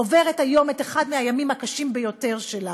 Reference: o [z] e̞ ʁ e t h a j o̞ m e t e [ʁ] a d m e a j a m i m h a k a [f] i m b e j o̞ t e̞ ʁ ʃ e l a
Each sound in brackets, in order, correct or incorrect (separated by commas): incorrect, incorrect, incorrect